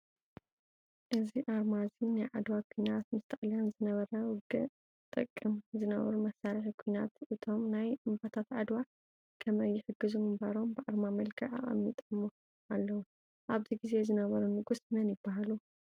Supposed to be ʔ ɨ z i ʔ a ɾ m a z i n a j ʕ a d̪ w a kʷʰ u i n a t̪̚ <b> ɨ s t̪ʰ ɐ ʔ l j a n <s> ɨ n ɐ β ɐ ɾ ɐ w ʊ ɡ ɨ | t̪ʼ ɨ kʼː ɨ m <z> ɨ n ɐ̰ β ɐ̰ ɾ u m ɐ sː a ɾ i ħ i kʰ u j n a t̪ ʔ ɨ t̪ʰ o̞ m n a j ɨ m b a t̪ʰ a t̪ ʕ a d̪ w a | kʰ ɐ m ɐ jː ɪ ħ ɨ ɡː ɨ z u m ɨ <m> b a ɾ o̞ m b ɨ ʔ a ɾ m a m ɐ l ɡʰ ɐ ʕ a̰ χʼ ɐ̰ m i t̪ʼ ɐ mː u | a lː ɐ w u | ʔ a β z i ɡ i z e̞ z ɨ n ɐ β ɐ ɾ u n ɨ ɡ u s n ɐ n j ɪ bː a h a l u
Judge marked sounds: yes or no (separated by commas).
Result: no, no, yes, yes